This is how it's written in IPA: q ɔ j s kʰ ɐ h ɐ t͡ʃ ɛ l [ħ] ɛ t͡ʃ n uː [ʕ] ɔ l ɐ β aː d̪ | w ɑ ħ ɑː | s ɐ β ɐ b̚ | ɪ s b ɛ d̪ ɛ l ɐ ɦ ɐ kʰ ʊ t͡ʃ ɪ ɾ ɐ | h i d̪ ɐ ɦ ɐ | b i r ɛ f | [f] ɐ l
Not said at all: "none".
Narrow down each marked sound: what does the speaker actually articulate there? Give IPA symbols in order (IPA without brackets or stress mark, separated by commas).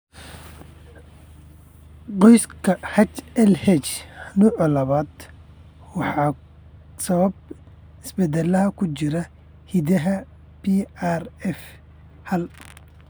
h, ʕ, h